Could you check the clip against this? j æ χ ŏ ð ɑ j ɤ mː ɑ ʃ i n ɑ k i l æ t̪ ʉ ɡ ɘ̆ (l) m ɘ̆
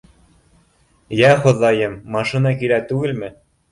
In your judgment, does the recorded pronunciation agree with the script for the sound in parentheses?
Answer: yes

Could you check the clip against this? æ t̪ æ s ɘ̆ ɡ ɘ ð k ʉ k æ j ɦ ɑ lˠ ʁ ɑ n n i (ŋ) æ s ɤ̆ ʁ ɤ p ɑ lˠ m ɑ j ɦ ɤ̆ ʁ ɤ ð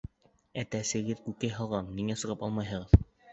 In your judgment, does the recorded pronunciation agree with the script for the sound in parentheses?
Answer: yes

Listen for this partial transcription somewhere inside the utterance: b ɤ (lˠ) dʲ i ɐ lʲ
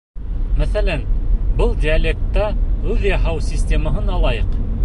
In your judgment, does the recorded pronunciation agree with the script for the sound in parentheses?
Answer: yes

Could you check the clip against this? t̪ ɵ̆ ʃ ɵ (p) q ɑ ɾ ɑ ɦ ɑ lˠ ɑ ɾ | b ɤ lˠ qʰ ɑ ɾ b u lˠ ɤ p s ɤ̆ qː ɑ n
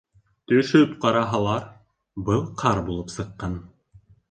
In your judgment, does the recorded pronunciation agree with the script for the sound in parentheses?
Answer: yes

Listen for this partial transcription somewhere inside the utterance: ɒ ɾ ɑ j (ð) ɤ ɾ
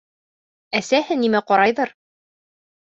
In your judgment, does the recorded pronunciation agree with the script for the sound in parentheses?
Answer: yes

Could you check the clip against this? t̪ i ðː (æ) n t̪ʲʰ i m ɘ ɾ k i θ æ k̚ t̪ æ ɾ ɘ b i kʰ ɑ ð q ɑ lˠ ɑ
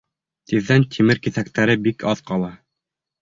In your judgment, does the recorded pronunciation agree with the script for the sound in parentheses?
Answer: yes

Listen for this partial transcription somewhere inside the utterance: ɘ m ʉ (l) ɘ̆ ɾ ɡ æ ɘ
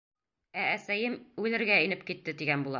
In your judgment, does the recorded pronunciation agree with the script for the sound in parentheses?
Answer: yes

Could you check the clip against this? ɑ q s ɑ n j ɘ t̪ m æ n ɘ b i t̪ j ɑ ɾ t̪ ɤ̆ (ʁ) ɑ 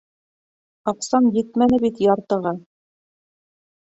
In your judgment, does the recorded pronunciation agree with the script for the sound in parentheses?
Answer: yes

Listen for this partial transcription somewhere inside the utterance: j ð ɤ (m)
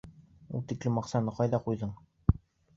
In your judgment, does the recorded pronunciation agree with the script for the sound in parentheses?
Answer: no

